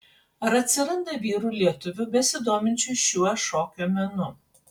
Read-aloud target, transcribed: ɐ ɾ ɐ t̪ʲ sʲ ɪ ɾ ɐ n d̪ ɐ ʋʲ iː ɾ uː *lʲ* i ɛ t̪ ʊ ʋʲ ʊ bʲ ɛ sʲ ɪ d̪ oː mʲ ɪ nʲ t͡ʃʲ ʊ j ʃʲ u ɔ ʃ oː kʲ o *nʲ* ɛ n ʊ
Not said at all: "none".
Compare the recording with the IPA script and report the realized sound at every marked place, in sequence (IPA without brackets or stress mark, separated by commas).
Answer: lʲ, mʲ